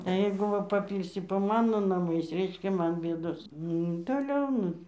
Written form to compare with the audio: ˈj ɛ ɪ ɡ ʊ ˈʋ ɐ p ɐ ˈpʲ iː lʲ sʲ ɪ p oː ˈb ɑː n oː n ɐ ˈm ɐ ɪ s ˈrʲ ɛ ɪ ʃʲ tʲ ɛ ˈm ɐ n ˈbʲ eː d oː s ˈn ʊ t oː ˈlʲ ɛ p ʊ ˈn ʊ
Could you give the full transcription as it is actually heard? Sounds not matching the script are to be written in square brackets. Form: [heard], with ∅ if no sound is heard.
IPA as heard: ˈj ɛ ɪ ɡ ʊ ˈʋ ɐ p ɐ ˈpʲ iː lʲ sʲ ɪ p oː [ˈm] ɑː n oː n ɐ ˈm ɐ ɪ s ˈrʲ ɛ ɪ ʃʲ [kʲ] ɛ ˈm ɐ n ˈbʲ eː d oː s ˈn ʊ t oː ˈlʲ ɛ [∅] ʊ ˈn ʊ